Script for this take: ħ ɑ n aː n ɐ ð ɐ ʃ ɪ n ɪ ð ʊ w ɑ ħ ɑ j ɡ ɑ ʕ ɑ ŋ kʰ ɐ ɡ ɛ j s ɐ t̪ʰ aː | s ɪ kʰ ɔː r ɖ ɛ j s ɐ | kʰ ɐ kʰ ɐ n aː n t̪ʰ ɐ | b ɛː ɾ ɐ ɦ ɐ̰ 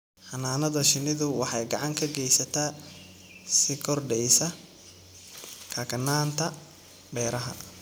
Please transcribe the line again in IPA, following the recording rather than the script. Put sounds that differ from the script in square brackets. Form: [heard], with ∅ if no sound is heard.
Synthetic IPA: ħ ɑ n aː n ɐ ð ɐ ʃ ɪ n ɪ ð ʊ w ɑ ħ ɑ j ɡ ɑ ʕ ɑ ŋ kʰ ɐ ɡ ɛ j s ɐ t̪ʰ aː | s ɪ kʰ [ɔ] r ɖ ɛ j s ɐ | kʰ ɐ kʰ ɐ n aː n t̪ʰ ɐ | b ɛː ɾ ɐ ɦ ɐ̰